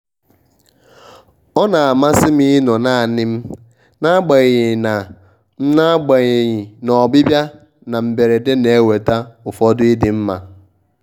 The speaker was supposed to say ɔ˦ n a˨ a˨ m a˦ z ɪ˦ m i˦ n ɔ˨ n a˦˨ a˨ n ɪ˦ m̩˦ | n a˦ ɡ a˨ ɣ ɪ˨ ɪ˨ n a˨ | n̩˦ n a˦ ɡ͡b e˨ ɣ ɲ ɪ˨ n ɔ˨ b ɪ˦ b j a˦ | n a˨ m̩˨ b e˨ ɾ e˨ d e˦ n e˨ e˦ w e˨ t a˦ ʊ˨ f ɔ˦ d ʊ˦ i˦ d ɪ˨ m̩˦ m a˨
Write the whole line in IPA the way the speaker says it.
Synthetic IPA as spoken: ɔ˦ n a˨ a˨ m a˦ s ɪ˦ m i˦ n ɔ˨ n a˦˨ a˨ n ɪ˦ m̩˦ | n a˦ ɡ͡b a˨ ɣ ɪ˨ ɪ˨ n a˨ | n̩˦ n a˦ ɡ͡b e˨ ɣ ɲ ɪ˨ n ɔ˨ b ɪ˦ b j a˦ | n a˨ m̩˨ b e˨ ɾ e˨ d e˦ n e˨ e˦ w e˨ t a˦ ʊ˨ f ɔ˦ d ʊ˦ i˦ d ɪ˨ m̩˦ m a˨